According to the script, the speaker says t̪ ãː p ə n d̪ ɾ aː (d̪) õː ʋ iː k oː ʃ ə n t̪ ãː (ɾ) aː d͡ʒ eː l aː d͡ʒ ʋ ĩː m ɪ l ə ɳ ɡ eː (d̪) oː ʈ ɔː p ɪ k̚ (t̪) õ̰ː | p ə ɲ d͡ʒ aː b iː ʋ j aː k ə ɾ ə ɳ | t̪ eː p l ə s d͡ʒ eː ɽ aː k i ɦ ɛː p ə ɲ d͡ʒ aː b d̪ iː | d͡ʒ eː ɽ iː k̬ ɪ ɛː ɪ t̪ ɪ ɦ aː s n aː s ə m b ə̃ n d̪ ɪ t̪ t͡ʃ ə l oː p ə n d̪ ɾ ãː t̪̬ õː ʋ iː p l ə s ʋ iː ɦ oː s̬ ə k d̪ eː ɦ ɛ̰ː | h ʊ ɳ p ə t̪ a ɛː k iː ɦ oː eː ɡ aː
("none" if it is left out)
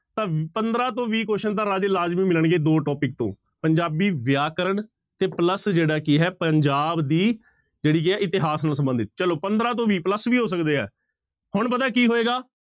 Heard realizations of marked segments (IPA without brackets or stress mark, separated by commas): t̪, ɾ, d̪, t̪